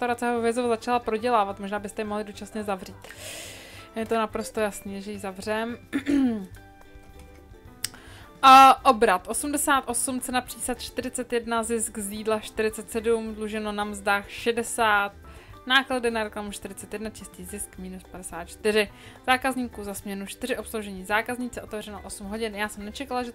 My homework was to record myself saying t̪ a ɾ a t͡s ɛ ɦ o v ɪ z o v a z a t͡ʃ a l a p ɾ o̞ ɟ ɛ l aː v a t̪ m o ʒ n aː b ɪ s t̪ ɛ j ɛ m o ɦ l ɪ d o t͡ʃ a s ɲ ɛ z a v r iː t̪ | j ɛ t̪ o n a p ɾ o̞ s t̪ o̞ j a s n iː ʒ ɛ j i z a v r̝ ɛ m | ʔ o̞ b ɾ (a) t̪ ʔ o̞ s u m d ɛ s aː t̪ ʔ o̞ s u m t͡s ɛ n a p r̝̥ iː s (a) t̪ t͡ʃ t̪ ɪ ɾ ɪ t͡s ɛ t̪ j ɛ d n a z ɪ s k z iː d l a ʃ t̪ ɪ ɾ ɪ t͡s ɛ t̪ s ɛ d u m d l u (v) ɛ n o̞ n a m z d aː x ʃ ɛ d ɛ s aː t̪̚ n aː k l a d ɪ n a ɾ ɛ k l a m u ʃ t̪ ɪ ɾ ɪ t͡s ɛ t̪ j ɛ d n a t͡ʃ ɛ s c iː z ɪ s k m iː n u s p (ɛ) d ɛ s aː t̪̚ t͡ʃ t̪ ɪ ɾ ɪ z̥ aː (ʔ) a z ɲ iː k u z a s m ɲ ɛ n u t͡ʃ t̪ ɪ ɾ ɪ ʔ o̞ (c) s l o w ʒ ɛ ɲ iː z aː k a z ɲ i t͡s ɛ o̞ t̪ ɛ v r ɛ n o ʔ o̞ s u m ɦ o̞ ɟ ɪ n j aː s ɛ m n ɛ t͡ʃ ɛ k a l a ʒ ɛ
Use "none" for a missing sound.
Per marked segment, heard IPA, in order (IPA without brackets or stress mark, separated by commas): a, a, ʒ, a, k, p